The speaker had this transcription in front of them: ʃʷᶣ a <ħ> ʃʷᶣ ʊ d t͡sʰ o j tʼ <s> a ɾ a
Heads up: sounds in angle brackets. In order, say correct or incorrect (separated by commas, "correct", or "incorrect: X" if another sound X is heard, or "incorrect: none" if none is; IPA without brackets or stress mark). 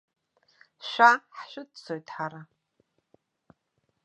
correct, incorrect: ħ